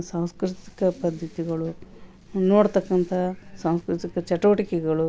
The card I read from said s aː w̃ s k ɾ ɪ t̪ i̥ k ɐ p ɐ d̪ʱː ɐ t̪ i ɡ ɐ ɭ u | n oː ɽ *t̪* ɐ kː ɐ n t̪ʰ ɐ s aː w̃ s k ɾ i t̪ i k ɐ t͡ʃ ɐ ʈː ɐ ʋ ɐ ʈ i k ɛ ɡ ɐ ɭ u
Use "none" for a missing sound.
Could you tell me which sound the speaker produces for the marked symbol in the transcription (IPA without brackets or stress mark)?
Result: t̪